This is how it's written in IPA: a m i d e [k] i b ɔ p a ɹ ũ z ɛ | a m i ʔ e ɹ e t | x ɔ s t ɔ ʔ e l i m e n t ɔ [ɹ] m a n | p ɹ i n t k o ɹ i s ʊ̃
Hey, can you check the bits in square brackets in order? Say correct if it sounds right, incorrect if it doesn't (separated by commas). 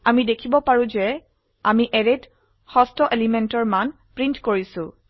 incorrect, correct